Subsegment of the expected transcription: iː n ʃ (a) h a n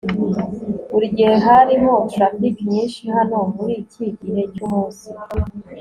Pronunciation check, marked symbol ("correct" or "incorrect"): incorrect